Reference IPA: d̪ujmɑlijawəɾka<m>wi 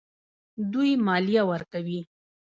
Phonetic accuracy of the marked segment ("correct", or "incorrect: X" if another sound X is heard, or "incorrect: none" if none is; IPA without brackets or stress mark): incorrect: none